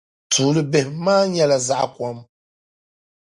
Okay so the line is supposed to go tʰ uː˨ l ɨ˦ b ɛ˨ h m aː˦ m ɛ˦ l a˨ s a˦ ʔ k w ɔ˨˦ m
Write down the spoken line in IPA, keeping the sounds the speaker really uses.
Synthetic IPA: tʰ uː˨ l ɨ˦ b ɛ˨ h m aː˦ ɲ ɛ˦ l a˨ z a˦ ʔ k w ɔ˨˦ m